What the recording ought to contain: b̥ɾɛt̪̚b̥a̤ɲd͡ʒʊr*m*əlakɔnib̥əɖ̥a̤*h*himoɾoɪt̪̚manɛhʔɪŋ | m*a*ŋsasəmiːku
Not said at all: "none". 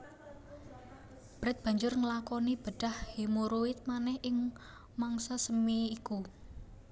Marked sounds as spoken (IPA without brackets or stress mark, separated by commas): ŋ, h, a